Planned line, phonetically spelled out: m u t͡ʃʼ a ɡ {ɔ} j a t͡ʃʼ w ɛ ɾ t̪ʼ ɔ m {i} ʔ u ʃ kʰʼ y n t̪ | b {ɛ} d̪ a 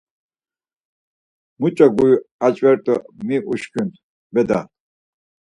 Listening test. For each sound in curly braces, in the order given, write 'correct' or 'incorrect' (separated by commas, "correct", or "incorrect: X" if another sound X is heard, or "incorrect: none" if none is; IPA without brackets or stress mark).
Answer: incorrect: u, correct, correct